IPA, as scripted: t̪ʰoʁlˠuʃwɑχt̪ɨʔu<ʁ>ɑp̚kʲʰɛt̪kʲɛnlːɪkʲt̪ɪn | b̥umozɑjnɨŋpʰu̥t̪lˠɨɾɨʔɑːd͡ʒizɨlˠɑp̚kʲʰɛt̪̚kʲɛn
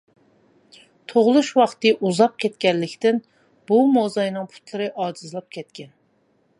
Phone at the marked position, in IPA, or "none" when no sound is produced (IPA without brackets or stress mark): z